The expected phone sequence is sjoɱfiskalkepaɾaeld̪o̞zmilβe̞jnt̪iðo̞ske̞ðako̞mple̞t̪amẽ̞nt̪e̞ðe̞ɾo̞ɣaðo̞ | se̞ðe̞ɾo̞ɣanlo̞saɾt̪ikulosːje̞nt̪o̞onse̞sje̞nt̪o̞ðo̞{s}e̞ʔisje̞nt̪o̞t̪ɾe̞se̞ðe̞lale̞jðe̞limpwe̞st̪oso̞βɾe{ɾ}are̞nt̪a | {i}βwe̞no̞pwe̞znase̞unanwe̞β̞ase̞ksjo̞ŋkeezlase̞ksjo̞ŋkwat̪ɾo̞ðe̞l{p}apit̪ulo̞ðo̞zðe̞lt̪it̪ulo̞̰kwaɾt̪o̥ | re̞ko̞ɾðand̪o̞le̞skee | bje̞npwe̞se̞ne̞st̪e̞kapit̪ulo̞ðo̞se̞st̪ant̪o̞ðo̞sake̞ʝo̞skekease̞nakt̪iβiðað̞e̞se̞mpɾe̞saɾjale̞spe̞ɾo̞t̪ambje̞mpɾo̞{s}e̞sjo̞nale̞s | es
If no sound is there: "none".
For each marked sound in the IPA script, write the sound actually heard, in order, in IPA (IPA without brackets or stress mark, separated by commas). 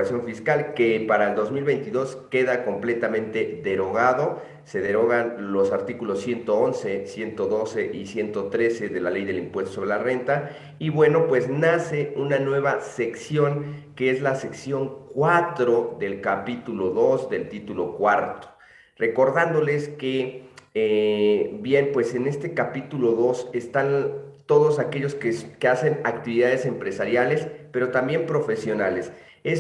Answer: s, l, i, k, f